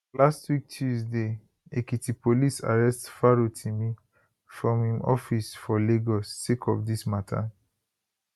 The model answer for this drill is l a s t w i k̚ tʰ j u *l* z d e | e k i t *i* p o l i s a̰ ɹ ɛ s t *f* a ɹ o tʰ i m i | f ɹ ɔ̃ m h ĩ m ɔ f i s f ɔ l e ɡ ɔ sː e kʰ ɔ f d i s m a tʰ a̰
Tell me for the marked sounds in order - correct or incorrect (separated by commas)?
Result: incorrect, correct, correct